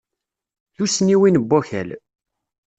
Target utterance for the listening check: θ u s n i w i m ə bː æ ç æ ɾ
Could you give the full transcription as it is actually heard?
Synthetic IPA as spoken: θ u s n i w i n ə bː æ ç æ l